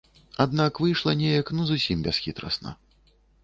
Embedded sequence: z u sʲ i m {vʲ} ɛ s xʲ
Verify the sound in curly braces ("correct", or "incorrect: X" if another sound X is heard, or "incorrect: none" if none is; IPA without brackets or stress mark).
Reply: incorrect: bʲ